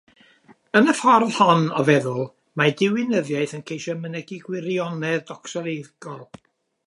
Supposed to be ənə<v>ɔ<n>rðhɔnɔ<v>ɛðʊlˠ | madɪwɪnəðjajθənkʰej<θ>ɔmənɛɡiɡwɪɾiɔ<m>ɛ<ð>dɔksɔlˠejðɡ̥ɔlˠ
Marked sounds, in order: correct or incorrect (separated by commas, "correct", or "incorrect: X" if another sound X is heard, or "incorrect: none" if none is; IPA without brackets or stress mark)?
incorrect: f, incorrect: none, correct, incorrect: ʃ, incorrect: n, correct